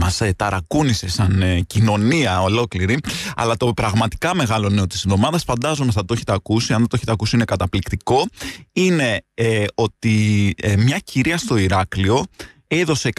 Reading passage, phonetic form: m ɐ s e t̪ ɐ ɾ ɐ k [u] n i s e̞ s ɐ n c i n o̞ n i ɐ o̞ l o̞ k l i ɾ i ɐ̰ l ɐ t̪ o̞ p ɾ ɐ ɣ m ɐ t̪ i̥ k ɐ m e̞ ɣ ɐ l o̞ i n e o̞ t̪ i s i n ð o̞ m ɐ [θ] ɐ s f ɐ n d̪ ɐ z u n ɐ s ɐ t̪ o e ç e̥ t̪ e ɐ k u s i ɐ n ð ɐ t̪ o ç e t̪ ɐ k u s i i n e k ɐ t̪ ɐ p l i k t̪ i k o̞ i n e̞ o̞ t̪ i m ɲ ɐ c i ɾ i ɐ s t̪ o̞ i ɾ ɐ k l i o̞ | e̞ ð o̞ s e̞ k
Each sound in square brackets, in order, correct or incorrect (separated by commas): correct, incorrect